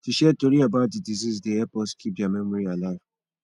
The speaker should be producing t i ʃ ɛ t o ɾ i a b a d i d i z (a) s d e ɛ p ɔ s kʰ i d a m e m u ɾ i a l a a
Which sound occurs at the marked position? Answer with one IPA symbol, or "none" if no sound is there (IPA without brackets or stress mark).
i